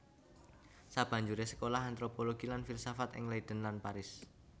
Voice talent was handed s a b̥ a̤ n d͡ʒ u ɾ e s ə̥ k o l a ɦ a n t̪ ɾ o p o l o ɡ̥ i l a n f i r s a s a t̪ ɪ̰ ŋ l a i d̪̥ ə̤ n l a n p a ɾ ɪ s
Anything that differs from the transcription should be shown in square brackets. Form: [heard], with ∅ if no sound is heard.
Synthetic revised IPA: s a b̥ a̤ [ɲ] d͡ʒ u ɾ e s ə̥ k o l a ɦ a n t̪ ɾ o p o l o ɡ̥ i l a n f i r s a [f] a t̪ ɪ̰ ŋ l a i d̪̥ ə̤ n l a n p a ɾ ɪ s